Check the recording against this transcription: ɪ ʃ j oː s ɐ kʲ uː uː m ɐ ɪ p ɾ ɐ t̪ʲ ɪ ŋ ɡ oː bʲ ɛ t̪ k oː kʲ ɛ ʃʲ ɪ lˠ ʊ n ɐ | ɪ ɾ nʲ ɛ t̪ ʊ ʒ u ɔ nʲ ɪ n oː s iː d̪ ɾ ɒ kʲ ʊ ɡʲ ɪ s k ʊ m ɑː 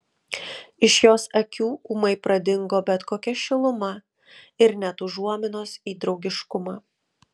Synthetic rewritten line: ɪ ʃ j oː s ɐ kʲ uː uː m ɐ ɪ p ɾ ɐ d̪ʲ ɪ ŋ ɡ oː bʲ ɛ t̪ k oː kʲ ɛ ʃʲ ɪ lˠ ʊ m ɐ | ɪ ɾ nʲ ɛ t̪ ʊ ʒ u ɔ mʲ ɪ n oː s iː d̪ ɾ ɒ ʊ ɡʲ ɪ ʃ k ʊ m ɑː